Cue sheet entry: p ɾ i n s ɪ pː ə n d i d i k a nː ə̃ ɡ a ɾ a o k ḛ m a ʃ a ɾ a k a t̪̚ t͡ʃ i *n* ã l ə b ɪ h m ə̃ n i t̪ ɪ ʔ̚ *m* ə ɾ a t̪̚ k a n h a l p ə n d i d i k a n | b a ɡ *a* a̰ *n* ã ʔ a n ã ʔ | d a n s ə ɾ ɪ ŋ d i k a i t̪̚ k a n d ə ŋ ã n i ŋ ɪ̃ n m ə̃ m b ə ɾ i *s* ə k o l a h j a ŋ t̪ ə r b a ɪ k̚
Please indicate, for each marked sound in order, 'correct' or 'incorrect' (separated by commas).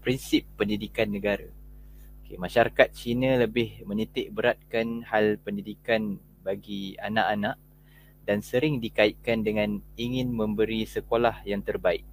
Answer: correct, incorrect, incorrect, correct, correct